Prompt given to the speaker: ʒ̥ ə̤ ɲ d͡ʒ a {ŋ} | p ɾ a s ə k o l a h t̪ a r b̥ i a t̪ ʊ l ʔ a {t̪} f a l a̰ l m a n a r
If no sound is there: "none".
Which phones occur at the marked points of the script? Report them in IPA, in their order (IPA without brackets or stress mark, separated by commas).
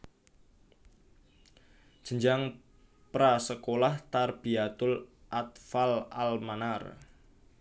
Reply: ŋ, t̪